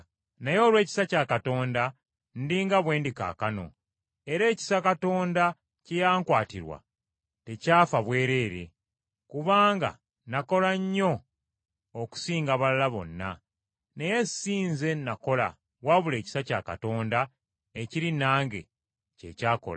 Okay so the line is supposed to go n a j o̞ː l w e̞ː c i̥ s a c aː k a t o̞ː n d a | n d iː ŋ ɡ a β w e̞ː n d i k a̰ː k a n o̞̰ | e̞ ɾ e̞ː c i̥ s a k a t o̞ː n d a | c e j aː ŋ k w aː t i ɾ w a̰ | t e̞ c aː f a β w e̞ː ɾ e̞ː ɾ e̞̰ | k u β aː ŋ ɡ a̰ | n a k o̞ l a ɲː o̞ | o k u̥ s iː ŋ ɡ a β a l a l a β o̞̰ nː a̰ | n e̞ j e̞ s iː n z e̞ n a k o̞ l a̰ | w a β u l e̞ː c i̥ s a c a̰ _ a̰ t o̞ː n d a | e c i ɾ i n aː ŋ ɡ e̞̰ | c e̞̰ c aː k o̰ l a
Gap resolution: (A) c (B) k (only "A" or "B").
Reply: B